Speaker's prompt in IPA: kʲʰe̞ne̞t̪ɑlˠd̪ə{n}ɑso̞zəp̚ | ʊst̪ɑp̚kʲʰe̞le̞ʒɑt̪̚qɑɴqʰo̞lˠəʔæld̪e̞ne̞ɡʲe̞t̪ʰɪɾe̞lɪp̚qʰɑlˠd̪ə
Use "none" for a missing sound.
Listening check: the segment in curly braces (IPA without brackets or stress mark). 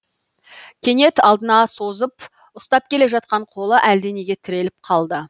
n